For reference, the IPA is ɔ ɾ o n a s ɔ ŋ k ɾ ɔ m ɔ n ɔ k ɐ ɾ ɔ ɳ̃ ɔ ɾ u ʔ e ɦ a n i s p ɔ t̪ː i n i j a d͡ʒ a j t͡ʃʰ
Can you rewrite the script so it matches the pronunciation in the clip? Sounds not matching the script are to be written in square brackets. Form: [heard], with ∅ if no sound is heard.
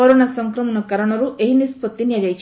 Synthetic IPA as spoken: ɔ ɾ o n a s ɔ ŋ k ɾ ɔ m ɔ n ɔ k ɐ ɾ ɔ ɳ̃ ɔ ɾ u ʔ e ɦ [i] n i s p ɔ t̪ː i n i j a d͡ʒ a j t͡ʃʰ